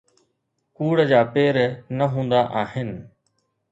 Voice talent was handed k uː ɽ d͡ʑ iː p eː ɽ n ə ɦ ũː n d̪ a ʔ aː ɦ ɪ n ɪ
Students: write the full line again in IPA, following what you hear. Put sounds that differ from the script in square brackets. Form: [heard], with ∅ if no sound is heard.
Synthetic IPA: k uː ɽ d͡ʑ [aː] p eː [ɾ] n ə ɦ ũː n d̪ a ʔ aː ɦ ɪ n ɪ

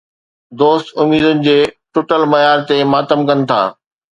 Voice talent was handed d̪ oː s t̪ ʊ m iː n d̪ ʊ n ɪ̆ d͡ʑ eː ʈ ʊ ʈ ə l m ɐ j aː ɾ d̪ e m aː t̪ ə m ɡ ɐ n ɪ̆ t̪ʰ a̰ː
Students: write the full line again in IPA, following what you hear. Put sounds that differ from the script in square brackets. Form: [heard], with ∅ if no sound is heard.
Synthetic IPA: d̪ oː s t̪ ʊ m iː [∅] d̪ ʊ n ɪ̆ d͡ʑ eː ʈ ʊ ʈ ə l m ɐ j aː ɾ [t̪] e m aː t̪ ə m [k] ɐ n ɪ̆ t̪ʰ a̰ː

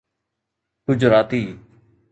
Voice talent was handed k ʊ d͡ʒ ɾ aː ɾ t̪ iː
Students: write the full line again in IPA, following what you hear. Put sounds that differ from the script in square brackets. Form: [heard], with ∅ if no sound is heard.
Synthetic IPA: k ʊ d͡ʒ ɾ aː [∅] t̪ iː

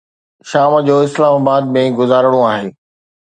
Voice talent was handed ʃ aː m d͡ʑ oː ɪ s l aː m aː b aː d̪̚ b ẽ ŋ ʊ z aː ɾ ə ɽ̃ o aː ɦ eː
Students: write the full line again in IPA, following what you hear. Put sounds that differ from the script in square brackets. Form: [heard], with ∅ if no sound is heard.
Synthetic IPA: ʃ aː m d͡ʑ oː ɪ s l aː m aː b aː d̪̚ [m] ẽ [ɡ] ʊ z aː ɾ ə ɽ̃ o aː ɦ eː

